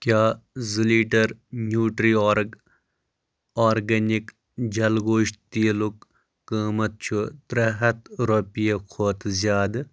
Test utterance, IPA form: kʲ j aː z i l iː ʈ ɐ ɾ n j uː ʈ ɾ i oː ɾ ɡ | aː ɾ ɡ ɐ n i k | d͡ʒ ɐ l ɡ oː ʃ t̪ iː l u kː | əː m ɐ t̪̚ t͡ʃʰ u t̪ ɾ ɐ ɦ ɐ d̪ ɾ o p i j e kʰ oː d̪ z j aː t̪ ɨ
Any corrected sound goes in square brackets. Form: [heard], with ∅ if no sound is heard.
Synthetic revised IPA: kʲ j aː z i l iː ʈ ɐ ɾ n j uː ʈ ɾ i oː ɾ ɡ | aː ɾ ɡ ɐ n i k | d͡ʒ ɐ l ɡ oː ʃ t̪ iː l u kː | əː m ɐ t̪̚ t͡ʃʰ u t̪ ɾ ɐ ɦ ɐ [t̪] ɾ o p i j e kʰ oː [t̪] z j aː [d̪] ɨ